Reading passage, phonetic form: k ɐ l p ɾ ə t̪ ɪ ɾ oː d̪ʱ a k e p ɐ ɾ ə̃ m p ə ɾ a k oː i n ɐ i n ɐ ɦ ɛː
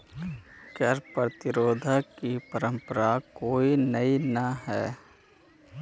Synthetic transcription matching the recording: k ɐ ɾ p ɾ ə t̪ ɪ ɾ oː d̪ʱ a k i p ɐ ɾ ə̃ m p ə ɾ a k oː i n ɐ i n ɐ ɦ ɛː

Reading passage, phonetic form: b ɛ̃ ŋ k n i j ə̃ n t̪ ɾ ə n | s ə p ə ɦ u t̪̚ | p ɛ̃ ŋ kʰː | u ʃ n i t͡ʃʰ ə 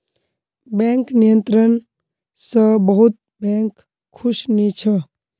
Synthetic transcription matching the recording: b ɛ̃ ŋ k n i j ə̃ n t̪ ɾ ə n | s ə b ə ɦ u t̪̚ | b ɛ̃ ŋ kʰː | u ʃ n i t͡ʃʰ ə

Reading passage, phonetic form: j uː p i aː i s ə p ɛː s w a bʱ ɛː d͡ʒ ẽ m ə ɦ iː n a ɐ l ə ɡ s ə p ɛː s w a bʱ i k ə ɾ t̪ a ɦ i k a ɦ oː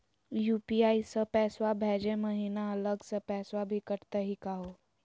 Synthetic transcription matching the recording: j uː p i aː i s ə p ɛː s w a bʱ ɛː d͡ʒ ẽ m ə ɦ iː n a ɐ l ə ɡ s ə p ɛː s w a bʱ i k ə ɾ t̪ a ɦ i k a ɦ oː

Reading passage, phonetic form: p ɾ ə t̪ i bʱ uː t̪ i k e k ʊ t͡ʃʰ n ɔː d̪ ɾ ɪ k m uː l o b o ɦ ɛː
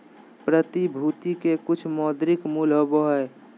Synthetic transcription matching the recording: p ɾ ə t̪ i bʱ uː t̪ i k e k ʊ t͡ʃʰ m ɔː d̪ ɾ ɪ k m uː l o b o ɦ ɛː

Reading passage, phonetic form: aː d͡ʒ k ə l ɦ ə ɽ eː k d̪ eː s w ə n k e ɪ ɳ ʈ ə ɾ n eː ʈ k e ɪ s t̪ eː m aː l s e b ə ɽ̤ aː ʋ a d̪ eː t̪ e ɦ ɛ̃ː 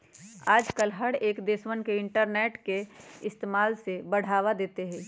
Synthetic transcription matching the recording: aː d͡ʒ k ə l ɦ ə ɽ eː k d̪ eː s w ə n k e ɪ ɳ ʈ ə ɾ n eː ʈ k e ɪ s t̪ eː m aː l s e b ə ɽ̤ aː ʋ a d̪ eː t̪ e ɦ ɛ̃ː

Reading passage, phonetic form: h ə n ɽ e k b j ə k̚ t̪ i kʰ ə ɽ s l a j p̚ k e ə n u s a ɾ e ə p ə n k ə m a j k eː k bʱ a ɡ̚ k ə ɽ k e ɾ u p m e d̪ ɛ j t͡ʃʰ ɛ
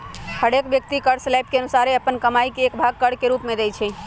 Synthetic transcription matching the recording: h ə ɽ e k b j ə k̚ t̪ i k ə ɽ s l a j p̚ k e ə n u s a ɾ e ə p ə n k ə m a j k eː k bʱ a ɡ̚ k ə ɽ k e ɾ u p m e d̪ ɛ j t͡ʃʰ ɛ

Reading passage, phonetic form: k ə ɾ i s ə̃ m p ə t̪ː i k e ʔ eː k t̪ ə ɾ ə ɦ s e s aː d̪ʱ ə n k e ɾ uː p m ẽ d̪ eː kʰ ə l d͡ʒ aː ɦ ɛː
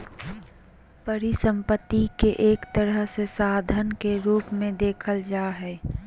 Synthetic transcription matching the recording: p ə ɾ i s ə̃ m p ə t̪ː i k e ʔ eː k t̪ ə ɾ ə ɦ s e s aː d̪ʱ ə n k e ɾ uː p m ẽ d̪ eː kʰ ə l d͡ʒ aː ɦ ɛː

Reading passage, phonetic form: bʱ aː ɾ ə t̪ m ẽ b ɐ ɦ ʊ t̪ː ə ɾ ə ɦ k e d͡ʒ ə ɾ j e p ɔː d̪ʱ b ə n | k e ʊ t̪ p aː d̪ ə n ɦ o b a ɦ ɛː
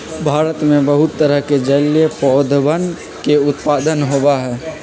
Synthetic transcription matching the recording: bʱ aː ɾ ə t̪ m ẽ b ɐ ɦ ʊ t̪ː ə ɾ ə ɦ k e d͡ʒ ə l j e p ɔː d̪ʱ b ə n | k e ʊ t̪ p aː d̪ ə n ɦ o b a ɦ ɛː

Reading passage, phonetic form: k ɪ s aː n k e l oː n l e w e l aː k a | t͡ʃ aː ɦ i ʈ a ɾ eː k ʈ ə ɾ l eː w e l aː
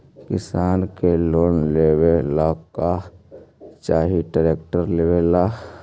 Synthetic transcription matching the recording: k ɪ s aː n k e l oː n l e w e l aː k a | t͡ʃ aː ɦ i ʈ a ɾ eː k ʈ ə ɾ l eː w e l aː

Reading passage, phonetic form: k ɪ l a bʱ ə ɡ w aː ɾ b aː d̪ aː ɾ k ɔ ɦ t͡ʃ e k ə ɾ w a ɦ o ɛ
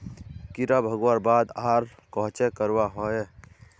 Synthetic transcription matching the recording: k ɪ ɾ a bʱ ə ɡ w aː ɾ b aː d̪ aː ɾ k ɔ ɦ t͡ʃ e k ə ɾ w a ɦ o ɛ

